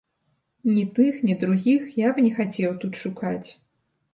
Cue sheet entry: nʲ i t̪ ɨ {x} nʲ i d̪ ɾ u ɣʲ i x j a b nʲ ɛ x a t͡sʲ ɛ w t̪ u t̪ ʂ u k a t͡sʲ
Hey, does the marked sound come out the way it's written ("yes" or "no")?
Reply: yes